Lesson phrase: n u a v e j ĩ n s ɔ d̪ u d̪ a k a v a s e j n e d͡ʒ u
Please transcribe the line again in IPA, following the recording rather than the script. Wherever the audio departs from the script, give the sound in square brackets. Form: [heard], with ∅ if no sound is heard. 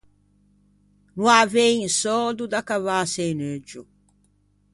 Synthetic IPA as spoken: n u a v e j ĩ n s ɔ d̪ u d̪ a k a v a s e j n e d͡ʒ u